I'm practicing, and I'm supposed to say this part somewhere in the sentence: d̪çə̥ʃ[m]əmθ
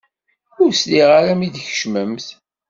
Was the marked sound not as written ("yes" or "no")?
no